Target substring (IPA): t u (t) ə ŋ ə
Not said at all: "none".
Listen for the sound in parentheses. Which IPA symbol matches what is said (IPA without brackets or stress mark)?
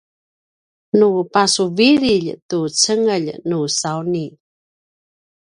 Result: t͡s